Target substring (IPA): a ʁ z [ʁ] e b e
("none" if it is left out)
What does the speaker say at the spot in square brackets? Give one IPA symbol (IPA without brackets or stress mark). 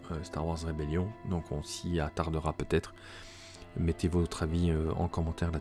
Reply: ʁ